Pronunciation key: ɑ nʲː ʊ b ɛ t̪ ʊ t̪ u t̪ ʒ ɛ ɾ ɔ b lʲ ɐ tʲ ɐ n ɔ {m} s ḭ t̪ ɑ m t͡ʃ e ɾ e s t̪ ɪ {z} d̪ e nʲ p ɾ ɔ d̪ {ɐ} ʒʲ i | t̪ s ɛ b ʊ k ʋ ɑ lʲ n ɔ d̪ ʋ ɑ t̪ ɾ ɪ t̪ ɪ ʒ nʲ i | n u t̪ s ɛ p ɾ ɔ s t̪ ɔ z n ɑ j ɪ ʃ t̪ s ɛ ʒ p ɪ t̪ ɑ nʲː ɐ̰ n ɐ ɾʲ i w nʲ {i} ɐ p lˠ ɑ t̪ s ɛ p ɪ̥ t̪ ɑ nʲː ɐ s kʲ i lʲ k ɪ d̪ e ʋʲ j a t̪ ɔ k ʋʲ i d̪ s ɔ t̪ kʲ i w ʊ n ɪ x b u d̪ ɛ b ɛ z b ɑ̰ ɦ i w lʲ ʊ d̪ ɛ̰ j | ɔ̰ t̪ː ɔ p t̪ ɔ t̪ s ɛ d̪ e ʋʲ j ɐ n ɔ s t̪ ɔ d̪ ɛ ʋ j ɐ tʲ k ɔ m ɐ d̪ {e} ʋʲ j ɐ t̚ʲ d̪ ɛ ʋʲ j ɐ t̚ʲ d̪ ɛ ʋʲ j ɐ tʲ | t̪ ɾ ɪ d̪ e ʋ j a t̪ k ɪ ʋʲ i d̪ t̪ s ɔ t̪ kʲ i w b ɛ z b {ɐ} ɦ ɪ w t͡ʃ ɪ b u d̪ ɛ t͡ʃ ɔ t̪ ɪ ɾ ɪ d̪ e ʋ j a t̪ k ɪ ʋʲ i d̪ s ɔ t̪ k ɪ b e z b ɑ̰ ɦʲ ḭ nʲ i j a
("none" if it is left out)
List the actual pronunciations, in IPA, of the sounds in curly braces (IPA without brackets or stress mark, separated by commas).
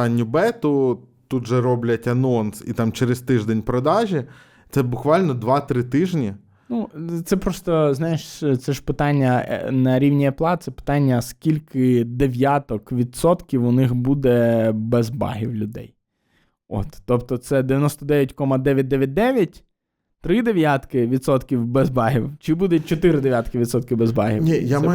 n, ʒ, ɑ, i, ɛ, ɑ